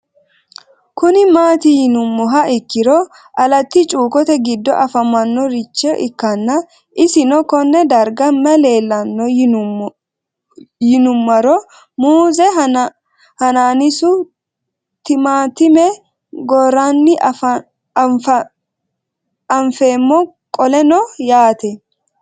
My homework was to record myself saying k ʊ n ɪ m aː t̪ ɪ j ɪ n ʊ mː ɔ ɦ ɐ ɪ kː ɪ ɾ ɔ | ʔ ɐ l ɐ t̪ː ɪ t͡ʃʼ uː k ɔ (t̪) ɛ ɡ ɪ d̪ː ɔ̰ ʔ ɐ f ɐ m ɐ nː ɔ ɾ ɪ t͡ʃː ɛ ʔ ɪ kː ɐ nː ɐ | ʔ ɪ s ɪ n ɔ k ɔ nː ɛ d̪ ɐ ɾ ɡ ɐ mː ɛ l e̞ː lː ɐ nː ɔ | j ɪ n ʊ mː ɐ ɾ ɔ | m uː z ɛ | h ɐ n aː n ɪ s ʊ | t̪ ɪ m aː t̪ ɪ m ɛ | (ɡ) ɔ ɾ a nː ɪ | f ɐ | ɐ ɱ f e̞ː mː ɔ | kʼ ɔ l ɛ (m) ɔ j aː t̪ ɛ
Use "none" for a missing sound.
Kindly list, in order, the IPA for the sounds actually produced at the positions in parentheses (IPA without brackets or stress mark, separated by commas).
t̪, ɡ, n